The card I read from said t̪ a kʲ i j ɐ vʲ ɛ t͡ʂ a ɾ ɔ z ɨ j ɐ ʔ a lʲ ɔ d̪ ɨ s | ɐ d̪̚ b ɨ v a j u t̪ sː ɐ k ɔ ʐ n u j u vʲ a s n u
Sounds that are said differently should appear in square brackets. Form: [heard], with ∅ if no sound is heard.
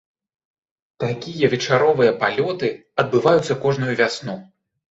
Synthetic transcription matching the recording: t̪ a kʲ i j ɐ vʲ ɛ t͡ʂ a ɾ ɔ [v] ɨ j ɐ [p] a lʲ ɔ [t̪] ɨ [∅] | ɐ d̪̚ b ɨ v a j u t̪ sː ɐ k ɔ ʐ n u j u vʲ a s n u